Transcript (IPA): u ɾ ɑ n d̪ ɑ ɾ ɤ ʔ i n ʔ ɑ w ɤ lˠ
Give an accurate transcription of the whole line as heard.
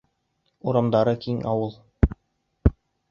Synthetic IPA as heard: u ɾ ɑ m d̪ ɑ ɾ ɤ k i ŋ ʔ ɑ w ɤ lˠ